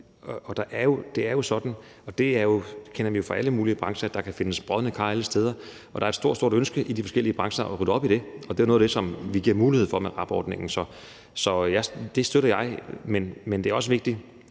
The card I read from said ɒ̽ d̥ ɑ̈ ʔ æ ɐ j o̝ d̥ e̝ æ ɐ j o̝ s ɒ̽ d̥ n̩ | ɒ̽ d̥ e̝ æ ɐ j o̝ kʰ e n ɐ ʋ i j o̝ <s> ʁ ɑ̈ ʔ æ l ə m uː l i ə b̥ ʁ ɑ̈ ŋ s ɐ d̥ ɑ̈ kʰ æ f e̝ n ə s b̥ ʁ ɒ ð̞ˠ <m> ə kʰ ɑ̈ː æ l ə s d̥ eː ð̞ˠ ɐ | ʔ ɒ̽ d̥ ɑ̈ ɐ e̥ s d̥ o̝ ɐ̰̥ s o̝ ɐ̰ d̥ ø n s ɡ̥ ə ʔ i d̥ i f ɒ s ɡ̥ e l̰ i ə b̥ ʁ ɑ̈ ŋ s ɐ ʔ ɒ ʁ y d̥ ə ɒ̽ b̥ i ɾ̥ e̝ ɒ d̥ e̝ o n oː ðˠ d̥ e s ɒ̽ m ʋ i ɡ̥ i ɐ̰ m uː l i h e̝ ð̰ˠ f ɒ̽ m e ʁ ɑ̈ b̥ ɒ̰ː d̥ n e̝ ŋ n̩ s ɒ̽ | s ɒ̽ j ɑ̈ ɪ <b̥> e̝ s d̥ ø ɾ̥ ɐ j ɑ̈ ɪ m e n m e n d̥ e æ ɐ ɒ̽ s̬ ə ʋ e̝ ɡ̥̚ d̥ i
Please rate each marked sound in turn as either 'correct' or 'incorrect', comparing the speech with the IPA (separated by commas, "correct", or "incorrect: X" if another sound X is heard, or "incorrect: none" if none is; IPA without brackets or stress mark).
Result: incorrect: f, incorrect: n, incorrect: d̥